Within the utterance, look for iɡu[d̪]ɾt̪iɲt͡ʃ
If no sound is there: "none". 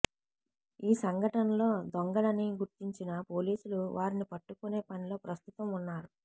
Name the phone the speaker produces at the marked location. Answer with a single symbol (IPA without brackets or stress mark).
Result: none